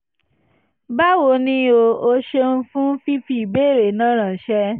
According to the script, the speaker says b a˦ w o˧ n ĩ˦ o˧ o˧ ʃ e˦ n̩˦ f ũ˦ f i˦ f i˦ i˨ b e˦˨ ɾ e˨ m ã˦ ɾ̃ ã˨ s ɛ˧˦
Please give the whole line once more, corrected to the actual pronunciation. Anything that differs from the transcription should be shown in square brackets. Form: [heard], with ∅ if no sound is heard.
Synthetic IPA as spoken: b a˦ w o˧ n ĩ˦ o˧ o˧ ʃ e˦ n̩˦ f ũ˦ f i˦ f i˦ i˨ b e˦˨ ɾ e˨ [n] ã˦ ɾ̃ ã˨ [ʃ] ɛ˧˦

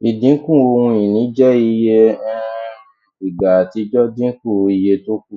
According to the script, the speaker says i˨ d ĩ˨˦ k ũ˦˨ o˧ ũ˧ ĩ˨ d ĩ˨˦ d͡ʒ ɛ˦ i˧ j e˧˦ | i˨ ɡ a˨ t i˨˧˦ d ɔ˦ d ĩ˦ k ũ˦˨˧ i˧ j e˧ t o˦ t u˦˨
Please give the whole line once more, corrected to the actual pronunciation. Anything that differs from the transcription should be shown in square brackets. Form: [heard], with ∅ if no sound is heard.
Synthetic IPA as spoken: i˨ d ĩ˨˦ k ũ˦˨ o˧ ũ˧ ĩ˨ [n] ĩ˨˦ d͡ʒ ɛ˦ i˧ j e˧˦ | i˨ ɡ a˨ t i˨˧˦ [d͡ʒ] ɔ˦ d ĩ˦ k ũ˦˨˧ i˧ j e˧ t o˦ [k] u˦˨

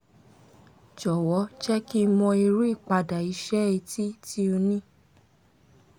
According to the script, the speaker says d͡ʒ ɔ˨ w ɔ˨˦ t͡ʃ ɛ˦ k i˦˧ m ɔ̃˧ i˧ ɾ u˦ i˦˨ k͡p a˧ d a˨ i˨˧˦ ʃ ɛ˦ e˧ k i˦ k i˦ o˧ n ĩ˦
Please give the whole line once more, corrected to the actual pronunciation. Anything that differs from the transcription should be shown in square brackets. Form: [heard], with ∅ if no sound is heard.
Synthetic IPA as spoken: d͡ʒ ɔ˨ w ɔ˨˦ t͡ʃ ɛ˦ k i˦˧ m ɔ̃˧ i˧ ɾ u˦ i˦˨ k͡p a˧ d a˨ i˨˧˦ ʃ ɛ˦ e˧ [t] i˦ [t] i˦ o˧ n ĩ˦

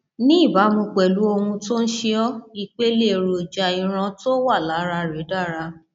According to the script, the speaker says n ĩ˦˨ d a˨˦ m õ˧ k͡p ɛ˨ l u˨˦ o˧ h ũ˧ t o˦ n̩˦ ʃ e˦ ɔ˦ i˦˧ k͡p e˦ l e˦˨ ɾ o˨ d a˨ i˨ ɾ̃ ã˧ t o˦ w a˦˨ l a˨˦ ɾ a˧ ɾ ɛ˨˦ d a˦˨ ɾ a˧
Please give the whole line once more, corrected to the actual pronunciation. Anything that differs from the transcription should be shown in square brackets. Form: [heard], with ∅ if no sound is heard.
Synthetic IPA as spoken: n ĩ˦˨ [b] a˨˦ m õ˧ k͡p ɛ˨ l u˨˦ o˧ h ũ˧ t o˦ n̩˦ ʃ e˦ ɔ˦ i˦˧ k͡p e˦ l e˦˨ ɾ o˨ [d͡ʒ] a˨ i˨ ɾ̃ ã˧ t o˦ w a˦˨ l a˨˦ ɾ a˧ ɾ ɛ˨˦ d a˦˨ ɾ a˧

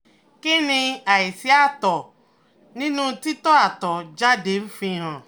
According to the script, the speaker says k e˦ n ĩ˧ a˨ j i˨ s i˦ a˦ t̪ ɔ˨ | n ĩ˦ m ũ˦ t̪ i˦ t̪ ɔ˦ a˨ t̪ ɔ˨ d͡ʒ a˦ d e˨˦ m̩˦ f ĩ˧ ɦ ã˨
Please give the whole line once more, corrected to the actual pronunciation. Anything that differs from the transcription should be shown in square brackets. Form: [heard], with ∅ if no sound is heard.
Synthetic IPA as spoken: k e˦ n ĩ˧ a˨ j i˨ s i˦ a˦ t̪ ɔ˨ | n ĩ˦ [n] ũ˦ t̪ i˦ t̪ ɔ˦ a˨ t̪ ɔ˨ d͡ʒ a˦ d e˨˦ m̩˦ f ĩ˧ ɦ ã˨

